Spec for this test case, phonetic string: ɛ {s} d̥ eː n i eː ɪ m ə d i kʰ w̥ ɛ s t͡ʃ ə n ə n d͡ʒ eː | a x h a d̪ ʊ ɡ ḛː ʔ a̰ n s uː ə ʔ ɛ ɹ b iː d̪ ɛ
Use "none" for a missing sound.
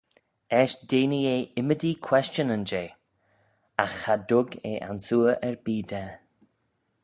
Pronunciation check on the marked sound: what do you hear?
ʃ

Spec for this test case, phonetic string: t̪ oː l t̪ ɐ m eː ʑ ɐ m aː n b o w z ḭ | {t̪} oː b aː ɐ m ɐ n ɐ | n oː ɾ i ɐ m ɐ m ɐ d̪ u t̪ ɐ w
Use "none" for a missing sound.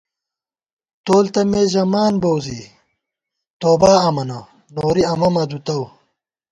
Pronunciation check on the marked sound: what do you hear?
t̪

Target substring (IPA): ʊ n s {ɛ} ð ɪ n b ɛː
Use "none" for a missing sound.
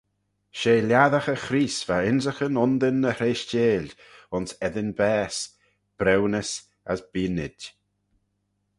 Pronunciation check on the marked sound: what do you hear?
ɛ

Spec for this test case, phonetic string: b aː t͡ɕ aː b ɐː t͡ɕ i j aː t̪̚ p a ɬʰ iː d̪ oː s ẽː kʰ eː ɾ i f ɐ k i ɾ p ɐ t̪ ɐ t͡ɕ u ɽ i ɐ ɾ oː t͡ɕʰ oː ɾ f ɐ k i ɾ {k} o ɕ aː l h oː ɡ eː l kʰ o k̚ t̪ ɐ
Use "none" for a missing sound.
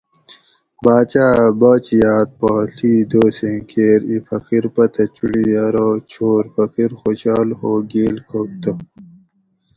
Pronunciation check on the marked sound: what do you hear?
x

